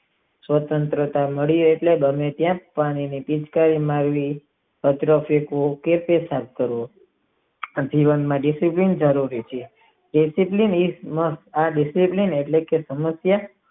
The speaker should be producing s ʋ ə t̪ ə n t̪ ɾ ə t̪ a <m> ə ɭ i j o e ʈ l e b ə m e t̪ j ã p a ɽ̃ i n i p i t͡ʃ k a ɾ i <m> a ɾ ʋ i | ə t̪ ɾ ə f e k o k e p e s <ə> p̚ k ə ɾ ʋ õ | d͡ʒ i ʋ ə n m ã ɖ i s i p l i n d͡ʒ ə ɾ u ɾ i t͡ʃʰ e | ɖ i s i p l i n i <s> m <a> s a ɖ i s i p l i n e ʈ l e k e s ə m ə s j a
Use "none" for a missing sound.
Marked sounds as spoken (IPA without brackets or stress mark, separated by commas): m, m, a, s, ə